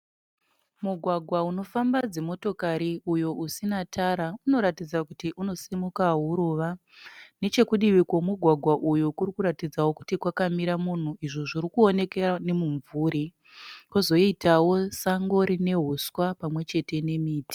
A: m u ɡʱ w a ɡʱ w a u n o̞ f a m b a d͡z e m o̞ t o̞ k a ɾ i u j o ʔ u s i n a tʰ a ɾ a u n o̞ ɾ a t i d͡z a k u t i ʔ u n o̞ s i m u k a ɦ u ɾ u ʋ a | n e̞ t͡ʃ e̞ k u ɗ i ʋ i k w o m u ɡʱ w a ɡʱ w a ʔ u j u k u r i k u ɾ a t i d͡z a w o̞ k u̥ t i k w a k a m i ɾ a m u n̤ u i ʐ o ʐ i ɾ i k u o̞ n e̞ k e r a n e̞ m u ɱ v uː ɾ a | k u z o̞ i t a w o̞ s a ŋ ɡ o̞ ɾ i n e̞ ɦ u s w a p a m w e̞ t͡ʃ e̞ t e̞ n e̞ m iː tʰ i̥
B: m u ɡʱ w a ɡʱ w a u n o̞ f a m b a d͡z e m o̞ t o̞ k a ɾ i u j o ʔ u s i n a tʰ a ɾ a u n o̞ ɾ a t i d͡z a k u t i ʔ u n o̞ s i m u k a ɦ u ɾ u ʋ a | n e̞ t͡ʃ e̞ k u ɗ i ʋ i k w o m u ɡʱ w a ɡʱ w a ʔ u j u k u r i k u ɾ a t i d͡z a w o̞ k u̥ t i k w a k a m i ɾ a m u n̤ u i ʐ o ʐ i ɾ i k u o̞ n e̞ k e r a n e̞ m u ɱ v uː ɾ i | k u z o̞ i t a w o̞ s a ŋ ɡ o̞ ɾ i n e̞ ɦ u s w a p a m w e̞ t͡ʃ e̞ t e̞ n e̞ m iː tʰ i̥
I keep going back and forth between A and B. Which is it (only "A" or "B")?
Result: B